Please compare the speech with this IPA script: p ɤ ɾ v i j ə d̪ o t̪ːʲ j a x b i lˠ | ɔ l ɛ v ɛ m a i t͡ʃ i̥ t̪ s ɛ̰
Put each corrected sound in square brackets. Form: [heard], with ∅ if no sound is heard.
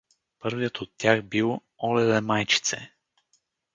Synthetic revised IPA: p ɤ ɾ v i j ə [t̪] o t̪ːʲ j a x b i lˠ | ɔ l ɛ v ɛ m a [j] t͡ʃ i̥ t̪ s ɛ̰